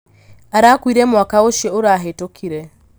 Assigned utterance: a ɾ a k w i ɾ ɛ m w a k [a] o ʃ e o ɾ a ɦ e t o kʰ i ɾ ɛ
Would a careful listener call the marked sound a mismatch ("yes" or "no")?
no